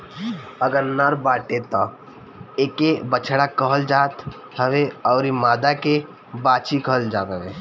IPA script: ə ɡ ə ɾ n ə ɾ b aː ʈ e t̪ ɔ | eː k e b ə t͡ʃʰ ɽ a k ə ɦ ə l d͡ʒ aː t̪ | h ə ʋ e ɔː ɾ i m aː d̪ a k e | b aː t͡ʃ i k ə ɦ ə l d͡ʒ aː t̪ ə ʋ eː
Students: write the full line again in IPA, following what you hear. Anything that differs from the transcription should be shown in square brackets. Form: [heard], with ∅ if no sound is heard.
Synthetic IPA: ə ɡ ə ɾ n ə ɾ b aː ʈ e t̪ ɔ | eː k e b ə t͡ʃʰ ɽ a k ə ɦ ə l d͡ʒ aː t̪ | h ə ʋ e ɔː ɾ i m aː d̪ a k e | b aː t͡ʃ i k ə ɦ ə l d͡ʒ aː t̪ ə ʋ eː